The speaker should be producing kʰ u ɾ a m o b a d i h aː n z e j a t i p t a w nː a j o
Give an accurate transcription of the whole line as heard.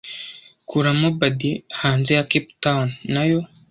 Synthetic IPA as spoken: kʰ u ɾ a m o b a d i h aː n z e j a k i p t a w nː a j o